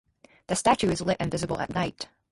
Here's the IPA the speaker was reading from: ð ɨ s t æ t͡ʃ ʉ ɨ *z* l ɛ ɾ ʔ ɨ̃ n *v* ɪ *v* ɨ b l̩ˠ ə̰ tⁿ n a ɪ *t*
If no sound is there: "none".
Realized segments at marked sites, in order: z, v, z, t

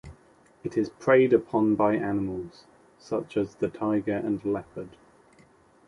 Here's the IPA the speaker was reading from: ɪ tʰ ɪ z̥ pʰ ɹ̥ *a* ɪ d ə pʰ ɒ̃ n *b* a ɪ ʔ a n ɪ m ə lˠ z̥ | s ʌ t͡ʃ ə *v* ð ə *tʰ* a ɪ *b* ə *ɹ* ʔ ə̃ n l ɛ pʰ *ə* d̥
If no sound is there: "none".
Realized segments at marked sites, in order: e, b, z, tʰ, ɡ, ɹ, ə

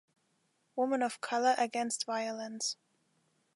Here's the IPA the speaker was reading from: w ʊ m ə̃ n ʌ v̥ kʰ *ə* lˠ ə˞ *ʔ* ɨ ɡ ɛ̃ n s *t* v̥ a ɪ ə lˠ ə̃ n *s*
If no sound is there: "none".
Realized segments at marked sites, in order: ʌ, ʔ, t, s

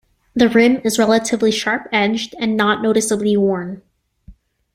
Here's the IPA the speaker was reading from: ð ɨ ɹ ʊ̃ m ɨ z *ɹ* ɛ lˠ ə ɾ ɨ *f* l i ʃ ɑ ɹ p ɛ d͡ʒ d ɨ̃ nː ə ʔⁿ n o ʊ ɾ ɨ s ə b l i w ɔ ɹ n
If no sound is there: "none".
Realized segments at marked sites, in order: ɹ, v

